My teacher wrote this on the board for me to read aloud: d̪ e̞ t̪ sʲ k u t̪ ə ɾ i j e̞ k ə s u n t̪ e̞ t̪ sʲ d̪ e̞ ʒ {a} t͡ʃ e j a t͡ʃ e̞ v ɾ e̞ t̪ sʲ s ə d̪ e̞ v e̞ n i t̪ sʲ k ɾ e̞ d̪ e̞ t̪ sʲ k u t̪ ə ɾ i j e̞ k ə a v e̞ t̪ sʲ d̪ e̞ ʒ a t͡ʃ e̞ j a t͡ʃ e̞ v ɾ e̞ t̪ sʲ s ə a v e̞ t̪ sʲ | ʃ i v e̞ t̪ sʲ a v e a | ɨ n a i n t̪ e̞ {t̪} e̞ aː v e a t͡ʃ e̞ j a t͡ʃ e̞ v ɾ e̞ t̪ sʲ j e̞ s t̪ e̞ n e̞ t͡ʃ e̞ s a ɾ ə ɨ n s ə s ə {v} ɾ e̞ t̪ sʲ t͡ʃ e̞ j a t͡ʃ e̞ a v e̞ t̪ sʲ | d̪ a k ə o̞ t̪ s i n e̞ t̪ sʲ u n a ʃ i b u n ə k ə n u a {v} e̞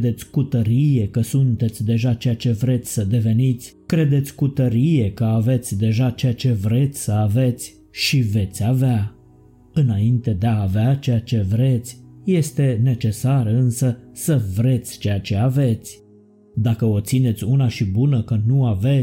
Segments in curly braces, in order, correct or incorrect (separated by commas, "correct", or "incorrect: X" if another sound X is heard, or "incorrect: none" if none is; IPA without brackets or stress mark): correct, incorrect: d̪, correct, correct